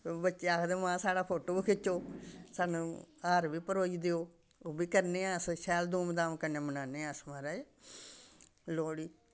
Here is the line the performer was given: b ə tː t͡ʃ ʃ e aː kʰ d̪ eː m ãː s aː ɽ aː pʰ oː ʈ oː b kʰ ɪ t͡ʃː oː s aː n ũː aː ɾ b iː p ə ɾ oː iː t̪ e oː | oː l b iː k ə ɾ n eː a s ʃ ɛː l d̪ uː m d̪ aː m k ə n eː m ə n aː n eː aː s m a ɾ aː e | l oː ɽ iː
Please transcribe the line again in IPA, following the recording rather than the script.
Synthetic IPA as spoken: b ə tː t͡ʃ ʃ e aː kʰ d̪ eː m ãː s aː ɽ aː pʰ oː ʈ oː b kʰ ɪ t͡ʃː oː s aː n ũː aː ɾ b iː p ə ɾ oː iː d̪ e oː | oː b iː k ə ɾ n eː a s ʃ ɛː l d̪ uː m d̪ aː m k ə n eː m ə n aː n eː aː s m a ɾ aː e | l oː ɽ iː